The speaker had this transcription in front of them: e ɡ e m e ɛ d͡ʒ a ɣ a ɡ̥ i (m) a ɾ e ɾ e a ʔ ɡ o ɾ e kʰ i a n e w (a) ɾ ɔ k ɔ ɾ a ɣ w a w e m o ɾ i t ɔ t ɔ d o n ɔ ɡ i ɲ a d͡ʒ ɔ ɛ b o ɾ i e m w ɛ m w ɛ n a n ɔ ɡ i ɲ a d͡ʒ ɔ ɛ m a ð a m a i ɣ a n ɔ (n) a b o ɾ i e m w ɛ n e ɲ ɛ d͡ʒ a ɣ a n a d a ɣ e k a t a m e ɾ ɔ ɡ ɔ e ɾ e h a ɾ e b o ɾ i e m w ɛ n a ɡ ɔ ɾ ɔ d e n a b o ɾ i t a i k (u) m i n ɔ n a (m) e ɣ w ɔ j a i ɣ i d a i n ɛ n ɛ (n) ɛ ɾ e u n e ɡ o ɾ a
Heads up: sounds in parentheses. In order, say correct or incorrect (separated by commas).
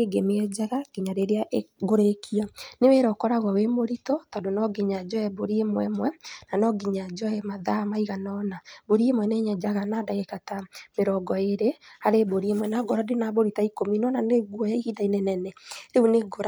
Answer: incorrect, incorrect, correct, incorrect, incorrect, correct